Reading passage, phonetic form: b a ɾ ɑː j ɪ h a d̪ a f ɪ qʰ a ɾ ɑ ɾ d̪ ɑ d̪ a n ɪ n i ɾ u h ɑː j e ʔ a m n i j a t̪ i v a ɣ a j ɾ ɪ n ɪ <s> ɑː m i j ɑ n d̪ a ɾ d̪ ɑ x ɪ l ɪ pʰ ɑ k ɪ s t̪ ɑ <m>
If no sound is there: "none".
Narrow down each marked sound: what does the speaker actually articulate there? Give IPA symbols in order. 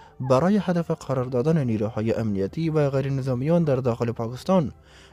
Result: z, n

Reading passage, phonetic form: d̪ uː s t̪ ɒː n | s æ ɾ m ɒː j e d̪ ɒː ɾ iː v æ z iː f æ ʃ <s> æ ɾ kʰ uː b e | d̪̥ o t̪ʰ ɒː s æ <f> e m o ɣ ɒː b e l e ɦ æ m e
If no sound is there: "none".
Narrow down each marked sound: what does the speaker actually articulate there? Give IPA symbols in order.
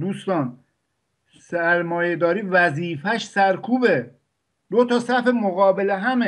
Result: s, f

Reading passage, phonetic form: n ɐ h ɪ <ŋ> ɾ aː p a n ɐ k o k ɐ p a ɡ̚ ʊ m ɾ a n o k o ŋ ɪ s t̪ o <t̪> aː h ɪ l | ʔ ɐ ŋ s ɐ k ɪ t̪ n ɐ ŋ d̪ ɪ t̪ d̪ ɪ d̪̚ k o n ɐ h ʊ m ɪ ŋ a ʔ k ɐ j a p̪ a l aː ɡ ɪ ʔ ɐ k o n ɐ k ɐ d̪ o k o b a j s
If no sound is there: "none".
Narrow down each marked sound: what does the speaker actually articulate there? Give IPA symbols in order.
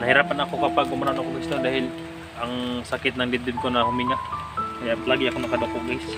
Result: none, d̪

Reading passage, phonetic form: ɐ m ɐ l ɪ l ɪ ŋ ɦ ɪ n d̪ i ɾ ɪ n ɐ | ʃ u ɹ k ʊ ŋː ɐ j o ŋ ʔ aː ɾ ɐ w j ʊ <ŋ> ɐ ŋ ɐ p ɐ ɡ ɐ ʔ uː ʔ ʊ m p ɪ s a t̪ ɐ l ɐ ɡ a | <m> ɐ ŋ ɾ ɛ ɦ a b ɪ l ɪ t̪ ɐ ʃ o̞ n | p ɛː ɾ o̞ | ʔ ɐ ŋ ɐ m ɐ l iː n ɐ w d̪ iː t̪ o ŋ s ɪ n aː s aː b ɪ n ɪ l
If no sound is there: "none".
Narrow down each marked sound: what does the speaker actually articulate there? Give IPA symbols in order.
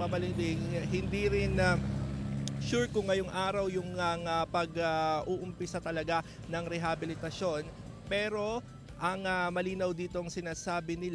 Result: ŋ, n

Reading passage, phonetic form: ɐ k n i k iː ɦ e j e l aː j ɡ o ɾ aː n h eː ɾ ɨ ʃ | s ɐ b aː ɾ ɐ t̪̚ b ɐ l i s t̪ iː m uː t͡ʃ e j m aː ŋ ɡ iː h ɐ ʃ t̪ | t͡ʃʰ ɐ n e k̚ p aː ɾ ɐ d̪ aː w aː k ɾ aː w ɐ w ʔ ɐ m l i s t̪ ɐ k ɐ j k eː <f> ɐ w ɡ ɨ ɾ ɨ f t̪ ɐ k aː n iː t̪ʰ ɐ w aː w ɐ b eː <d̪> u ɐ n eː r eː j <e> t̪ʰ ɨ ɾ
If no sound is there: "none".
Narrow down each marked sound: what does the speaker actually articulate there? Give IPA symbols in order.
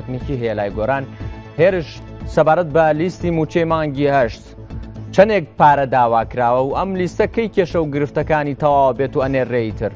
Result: ʃ, t̪, i

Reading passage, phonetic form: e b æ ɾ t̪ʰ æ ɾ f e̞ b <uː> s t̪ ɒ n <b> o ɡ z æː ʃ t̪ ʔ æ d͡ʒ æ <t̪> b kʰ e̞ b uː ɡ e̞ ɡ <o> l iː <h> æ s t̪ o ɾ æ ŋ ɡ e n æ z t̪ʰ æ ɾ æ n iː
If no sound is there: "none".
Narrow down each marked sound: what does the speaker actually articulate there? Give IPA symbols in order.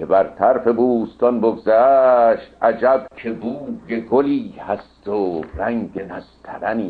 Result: uː, b, none, o, h

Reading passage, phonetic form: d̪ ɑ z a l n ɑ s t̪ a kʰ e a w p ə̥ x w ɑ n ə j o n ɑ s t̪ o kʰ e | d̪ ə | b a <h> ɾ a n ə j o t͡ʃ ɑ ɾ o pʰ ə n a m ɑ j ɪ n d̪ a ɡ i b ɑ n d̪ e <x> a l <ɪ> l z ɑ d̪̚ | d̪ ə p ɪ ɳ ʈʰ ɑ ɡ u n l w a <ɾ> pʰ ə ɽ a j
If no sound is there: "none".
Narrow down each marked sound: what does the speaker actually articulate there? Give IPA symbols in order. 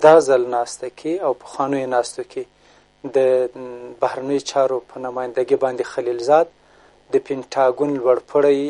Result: h, x, i, ɽ

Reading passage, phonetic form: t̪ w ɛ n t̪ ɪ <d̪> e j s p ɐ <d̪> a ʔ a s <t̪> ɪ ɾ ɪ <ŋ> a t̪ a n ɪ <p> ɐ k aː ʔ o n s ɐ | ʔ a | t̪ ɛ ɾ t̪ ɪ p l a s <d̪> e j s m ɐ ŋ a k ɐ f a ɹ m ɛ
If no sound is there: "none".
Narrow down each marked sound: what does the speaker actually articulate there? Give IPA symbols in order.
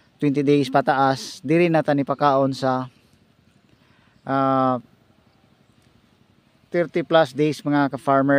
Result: d̪, t̪, d̪, n, p, d̪

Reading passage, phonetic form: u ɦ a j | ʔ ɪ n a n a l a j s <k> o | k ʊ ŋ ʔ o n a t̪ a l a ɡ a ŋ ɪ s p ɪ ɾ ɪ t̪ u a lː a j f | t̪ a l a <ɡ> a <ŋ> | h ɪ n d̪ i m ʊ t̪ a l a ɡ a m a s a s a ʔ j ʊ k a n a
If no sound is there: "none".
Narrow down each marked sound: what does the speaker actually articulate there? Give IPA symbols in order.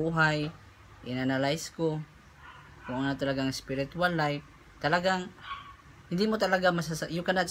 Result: k, ɡ, ŋ

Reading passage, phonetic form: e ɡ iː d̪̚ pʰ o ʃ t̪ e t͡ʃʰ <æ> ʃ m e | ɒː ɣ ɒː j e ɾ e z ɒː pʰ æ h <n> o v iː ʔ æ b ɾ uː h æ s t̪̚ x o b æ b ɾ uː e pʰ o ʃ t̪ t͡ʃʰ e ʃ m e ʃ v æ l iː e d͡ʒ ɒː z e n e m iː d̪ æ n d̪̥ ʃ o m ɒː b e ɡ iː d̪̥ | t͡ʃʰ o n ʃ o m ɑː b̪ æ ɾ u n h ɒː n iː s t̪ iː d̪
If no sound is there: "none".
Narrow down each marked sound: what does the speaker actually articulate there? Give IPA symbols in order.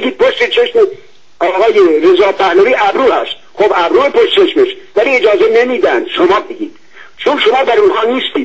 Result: e, n

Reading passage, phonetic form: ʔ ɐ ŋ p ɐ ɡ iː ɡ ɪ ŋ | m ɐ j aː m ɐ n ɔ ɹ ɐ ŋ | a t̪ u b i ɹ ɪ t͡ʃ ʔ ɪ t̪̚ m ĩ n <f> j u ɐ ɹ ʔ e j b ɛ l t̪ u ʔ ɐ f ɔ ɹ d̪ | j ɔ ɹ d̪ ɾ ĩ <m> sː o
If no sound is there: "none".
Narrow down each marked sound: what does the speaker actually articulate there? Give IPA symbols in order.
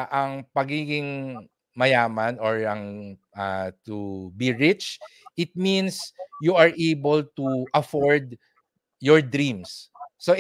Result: s, m

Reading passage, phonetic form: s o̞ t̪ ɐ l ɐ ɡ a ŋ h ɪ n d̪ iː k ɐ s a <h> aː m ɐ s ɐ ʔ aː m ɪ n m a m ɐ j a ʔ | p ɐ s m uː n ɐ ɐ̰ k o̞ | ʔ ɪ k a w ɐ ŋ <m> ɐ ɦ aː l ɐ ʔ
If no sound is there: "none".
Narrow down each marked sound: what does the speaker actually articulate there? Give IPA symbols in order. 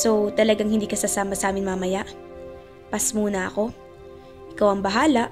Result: s, b

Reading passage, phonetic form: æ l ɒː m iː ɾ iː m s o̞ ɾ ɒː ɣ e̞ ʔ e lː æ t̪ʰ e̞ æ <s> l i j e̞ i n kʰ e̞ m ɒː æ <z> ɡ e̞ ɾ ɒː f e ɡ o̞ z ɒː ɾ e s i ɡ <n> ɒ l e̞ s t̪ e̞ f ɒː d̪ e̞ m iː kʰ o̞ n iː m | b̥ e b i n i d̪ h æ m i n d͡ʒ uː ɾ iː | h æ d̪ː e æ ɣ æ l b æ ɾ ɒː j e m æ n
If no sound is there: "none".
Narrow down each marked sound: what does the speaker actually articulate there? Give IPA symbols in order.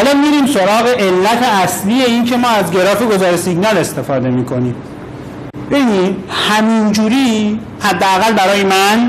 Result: s, z, n

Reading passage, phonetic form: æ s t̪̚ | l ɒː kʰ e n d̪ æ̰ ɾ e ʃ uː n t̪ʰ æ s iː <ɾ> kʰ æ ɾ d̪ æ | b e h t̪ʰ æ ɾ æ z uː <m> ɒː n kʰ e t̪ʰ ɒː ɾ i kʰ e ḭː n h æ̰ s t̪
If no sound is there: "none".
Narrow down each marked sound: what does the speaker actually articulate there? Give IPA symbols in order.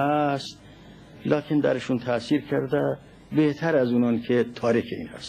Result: ɾ, n

